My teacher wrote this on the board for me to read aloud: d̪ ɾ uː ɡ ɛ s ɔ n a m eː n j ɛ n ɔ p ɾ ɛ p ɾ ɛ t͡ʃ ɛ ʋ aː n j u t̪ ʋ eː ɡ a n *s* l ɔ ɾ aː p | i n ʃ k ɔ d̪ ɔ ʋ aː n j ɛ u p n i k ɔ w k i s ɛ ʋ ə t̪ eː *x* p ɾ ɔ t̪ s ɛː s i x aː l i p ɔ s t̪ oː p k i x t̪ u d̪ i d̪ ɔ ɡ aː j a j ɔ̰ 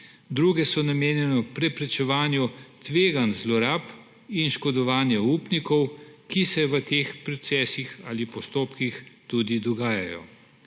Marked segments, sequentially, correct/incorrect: incorrect, correct

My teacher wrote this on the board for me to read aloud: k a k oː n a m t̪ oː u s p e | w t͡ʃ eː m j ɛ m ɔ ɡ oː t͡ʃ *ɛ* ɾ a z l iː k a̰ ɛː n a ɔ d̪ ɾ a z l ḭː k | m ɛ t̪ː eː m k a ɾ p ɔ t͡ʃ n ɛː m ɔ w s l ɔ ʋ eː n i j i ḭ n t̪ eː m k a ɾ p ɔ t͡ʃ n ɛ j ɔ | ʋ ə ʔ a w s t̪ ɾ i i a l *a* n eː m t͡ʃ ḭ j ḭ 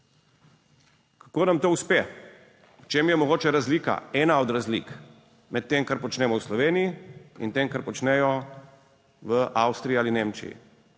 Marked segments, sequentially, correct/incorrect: correct, incorrect

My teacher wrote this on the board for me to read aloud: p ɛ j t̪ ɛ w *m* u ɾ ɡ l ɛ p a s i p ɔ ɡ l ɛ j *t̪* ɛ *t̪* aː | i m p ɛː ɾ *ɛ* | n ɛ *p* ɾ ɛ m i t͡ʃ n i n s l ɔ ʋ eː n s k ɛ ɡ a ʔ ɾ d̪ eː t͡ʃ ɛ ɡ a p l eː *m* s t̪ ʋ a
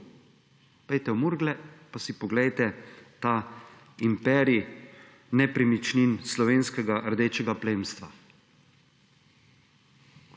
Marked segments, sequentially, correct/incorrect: correct, correct, correct, incorrect, correct, correct

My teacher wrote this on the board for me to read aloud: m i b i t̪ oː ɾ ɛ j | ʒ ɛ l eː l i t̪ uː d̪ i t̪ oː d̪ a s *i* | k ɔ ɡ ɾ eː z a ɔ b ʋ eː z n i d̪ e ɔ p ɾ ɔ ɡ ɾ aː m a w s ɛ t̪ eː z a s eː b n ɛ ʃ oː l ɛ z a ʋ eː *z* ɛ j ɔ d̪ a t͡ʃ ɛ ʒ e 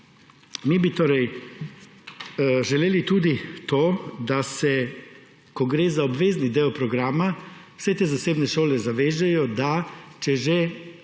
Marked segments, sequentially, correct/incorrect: incorrect, incorrect

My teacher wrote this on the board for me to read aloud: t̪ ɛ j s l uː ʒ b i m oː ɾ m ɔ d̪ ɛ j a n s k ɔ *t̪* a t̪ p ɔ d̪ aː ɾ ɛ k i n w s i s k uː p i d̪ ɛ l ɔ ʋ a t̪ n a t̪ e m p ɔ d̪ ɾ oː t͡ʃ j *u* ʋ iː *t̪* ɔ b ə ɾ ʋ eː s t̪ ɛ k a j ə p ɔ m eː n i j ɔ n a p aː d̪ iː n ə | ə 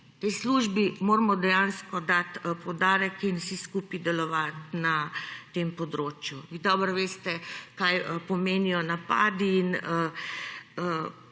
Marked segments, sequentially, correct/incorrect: incorrect, correct, incorrect

